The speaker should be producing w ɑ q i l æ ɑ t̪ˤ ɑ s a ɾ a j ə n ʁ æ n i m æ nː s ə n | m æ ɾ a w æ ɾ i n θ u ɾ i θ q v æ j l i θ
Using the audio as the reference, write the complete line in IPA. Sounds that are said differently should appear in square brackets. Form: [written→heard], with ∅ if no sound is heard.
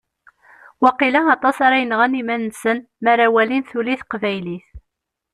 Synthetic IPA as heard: w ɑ q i l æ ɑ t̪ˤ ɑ s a ɾ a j ə n ʁ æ n i m æ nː s ə n | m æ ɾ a w æ [ɾ→l] i n θ u [ɾ→l] i θ q v æ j l i θ